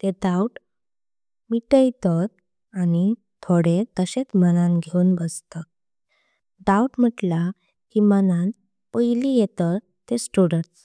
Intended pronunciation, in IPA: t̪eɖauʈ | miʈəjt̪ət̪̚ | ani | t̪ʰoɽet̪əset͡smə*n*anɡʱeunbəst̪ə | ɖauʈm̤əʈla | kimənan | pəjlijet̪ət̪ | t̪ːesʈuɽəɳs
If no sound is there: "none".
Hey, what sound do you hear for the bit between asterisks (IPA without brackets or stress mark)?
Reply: n